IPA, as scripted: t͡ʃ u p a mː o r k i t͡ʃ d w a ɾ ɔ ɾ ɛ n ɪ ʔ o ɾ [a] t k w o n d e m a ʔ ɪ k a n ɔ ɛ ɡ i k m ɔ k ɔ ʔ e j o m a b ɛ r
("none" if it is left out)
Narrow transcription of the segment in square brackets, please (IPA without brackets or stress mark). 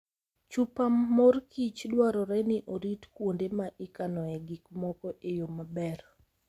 i